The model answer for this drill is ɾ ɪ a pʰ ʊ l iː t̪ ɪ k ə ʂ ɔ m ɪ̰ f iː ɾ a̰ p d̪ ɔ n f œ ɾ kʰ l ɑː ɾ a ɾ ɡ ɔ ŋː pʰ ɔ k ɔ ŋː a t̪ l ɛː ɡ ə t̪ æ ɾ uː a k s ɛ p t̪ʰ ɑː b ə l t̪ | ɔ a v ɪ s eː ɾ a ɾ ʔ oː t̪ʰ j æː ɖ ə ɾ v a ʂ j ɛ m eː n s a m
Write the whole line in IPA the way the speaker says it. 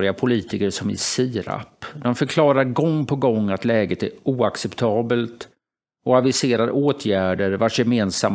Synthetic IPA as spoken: ɾ ɪ a pʰ ʊ l iː t̪ ɪ k ə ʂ ɔ m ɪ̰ s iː ɾ a̰ p d̪ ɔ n f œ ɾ kʰ l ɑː ɾ a ɾ ɡ ɔ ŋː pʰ ɔ ɡ ɔ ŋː a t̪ l ɛː ɡ ə t̪ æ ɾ uː a k s ɛ p t̪ʰ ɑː b ə l t̪ | ɔ a v ɪ s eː ɾ a ɾ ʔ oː t̪ʰ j æː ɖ ə ɾ v a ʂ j ɛ m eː n s a m